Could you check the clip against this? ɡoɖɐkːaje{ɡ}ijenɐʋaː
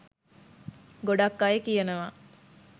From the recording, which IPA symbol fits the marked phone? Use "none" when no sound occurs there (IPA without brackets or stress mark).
k